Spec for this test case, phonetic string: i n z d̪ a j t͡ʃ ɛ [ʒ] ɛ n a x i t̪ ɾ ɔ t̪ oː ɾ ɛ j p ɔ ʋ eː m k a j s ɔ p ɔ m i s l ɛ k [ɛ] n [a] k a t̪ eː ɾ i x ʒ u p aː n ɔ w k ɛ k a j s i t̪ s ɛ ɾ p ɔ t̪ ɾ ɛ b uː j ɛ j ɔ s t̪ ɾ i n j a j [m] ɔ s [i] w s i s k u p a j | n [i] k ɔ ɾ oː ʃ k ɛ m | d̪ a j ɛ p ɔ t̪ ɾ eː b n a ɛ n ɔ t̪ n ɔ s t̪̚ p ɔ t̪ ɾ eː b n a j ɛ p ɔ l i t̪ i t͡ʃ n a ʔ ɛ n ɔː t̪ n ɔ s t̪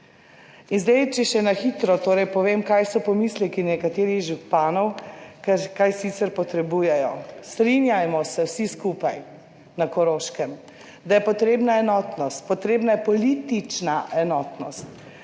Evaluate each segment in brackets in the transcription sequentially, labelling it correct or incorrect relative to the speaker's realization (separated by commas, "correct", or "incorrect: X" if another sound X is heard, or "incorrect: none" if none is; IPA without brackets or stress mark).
incorrect: ʃ, incorrect: i, incorrect: ɛ, correct, incorrect: ɛ, incorrect: a